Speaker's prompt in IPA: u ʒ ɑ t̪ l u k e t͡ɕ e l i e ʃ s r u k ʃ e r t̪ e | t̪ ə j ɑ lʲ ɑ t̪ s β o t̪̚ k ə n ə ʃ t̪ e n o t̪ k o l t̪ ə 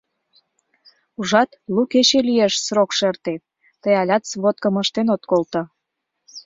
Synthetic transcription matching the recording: u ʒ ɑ t̪ l u k e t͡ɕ e l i e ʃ s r o k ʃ e r t̪ e | t̪ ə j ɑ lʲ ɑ t̪ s β o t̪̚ k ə m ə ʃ t̪ e n o t̪ k o l t̪ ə